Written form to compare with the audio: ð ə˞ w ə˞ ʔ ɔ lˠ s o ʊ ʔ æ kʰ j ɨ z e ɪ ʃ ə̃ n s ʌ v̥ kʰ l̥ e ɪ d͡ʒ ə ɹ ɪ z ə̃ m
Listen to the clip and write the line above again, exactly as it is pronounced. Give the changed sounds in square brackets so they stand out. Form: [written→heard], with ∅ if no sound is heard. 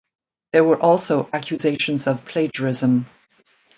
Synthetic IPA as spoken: ð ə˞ w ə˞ ʔ ɔ lˠ s o ʊ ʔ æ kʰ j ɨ z e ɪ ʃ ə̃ n [s→z] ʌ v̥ [kʰ→pʰ] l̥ e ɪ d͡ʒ ə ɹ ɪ z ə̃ m